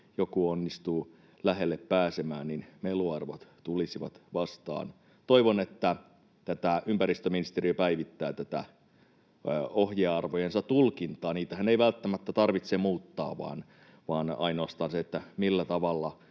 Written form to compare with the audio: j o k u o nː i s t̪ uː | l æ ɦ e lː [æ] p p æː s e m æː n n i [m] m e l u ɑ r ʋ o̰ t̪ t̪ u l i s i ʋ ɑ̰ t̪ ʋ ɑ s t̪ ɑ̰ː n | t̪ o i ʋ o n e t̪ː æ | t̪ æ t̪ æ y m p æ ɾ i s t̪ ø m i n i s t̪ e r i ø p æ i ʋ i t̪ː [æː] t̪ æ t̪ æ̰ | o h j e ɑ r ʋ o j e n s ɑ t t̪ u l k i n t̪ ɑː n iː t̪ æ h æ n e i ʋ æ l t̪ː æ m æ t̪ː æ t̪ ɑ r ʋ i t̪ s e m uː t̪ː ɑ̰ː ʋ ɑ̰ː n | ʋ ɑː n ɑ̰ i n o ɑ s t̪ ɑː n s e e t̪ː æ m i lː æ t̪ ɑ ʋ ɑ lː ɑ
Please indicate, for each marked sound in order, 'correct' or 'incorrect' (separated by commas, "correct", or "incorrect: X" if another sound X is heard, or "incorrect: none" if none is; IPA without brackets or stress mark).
incorrect: e, incorrect: n, correct